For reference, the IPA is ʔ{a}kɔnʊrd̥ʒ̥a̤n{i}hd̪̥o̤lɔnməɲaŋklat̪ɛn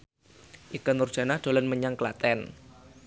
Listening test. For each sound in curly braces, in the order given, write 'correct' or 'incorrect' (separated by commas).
incorrect, incorrect